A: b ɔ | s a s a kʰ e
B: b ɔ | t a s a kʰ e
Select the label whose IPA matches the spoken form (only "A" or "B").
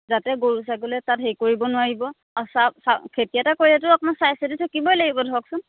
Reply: A